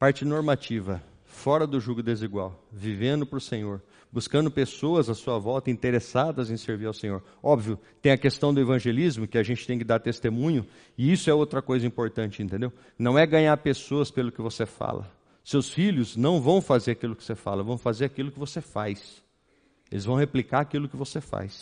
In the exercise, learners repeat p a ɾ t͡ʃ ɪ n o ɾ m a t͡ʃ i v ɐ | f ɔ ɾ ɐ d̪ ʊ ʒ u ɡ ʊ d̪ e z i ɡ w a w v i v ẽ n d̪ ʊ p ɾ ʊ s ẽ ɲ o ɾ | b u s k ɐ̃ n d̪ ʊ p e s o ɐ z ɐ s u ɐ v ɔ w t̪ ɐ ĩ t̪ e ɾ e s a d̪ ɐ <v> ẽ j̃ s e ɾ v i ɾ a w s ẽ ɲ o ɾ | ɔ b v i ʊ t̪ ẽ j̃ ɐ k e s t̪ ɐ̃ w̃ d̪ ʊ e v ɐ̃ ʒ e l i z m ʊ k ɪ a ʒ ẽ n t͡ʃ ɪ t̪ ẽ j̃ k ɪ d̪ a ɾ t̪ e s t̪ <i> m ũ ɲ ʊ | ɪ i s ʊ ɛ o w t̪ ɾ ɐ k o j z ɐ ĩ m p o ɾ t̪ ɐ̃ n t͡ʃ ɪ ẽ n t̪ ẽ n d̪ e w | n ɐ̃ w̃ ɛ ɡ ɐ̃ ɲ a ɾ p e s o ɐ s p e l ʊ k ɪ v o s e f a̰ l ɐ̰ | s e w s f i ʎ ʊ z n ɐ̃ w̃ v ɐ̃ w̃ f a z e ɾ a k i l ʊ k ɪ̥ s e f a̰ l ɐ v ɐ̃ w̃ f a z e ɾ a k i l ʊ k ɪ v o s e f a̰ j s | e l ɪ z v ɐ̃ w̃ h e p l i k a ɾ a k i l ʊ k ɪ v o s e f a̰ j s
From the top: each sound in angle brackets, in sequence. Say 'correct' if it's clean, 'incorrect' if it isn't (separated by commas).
incorrect, incorrect